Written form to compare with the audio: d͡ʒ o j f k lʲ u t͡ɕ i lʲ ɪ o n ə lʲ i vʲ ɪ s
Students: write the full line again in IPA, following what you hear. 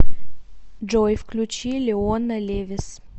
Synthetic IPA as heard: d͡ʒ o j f k lʲ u t͡ɕ i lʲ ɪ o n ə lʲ e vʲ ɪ s